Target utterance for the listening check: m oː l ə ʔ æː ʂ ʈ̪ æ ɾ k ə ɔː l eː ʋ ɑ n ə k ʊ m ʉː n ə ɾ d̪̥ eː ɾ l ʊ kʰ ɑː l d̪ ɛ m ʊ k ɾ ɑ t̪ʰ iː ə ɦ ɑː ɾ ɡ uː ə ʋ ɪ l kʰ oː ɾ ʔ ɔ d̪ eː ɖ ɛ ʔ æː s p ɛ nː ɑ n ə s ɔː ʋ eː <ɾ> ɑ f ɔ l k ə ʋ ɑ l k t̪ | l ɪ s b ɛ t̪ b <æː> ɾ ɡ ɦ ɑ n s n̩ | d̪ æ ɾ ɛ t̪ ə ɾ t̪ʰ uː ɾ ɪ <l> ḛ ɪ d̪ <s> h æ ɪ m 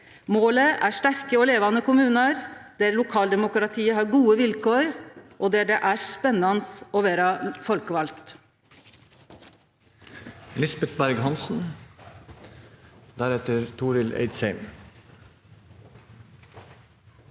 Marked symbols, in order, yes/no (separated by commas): yes, no, yes, yes